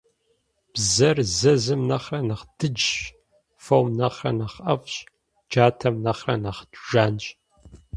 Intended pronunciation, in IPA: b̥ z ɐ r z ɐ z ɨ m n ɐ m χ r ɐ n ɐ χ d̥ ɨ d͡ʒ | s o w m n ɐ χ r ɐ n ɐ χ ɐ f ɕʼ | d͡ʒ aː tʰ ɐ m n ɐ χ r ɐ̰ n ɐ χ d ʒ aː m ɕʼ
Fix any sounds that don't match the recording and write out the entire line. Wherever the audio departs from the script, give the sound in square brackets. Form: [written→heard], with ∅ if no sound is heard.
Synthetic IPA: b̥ z ɐ r z ɐ z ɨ m n ɐ [m→∅] χ r ɐ n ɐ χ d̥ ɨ d͡ʒ | [s→f] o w m n ɐ χ r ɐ n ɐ χ ɐ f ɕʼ | d͡ʒ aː tʰ ɐ m n ɐ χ r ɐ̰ n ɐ χ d ʒ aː [m→n] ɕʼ